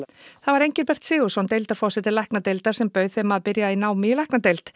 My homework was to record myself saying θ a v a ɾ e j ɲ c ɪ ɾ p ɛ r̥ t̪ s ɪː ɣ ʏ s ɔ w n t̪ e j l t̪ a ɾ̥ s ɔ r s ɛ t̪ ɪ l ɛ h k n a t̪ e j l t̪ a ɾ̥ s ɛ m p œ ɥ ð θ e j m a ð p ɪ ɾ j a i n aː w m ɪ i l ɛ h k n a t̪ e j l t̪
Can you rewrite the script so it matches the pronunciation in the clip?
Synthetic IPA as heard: θ a v a ɾ e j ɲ c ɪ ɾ p ɛ r̥ t̪ s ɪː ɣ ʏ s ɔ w n t̪ e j l t̪ a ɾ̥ f ɔ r s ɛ t̪ ɪ l ɛ h k n a t̪ e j l t̪ a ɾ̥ s ɛ m p œ ɥ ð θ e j m a ð p ɪ ɾ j a i n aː w m ɪ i l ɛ h k n a t̪ e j l t̪